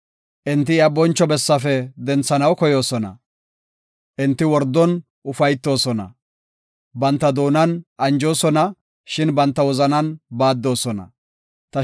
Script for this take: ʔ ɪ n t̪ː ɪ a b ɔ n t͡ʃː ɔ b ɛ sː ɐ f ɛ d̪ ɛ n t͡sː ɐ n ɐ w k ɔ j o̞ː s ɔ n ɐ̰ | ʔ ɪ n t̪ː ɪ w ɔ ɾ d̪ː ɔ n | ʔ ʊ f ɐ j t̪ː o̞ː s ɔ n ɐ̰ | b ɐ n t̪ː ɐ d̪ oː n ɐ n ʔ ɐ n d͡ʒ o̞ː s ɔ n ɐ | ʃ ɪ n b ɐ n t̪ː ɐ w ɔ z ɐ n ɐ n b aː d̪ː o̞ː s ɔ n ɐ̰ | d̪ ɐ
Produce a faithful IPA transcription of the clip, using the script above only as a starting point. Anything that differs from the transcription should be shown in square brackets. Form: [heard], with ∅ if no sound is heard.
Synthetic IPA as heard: ʔ ɪ n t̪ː ɪ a b ɔ n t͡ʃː ɔ b ɛ sː ɐ f ɛ d̪ ɛ n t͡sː ɐ n ɐ w k ɔ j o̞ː s ɔ n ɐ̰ | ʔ ɪ n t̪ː ɪ w ɔ ɾ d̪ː ɔ n | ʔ ʊ f ɐ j t̪ː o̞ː s ɔ n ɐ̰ | b ɐ n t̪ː ɐ d̪ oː n ɐ n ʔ ɐ n d͡ʒ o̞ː s ɔ n ɐ | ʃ ɪ n b ɐ n t̪ː ɐ w ɔ z ɐ n ɐ n b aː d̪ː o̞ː s ɔ n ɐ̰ | [t̪] ɐ